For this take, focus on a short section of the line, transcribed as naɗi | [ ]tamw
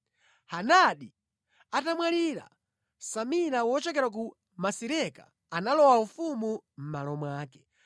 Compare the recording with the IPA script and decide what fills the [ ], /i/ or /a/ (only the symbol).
a